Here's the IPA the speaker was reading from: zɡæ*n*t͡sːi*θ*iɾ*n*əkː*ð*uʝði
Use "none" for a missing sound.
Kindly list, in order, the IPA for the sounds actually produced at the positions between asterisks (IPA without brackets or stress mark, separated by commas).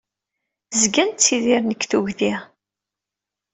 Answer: n, ð, n, θ